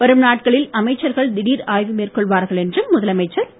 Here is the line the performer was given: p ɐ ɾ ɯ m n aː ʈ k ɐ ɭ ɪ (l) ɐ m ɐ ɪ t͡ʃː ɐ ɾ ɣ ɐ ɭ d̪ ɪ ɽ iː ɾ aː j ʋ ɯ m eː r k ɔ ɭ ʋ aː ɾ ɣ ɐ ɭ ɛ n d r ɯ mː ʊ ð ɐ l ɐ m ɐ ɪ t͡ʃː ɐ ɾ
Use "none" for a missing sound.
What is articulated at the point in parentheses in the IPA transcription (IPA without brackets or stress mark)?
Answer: l